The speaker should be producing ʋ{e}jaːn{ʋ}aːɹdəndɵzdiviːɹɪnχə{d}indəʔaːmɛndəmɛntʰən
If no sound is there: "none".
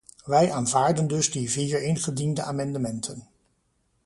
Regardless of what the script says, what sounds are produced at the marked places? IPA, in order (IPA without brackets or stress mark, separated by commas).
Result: ɛ, v, d